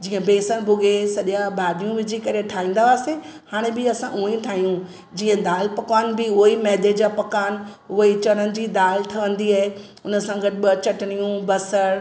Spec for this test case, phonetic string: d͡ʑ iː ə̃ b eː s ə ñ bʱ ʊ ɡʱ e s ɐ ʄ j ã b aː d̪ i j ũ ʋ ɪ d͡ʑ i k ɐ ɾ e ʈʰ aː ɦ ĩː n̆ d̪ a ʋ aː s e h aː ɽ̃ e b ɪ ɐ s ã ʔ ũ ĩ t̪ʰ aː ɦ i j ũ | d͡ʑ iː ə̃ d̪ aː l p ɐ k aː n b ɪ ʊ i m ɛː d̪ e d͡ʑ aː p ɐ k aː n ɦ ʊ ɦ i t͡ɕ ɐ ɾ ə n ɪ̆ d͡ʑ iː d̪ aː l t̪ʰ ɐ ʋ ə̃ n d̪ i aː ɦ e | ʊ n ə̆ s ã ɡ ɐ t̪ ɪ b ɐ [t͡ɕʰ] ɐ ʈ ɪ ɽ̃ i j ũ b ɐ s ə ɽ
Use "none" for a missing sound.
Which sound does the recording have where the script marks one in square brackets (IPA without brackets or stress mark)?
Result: t͡ɕ